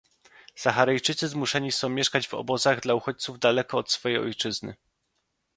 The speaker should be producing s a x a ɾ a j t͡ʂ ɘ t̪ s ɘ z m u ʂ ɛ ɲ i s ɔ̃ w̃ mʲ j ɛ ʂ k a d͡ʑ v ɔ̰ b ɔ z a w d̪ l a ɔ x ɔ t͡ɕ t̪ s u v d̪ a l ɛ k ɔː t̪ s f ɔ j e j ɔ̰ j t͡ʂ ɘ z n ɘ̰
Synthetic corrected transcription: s a x a ɾ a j t͡ʂ ɘ t̪ s ɘ z m u ʂ ɛ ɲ i s ɔ̃ w̃ mʲ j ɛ ʂ k a d͡ʑ v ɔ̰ b ɔ z a ɣ d̪ l a u x ɔ t͡ɕ t̪ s u v d̪ a l ɛ k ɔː t̪ s f ɔ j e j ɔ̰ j t͡ʂ ɘ z n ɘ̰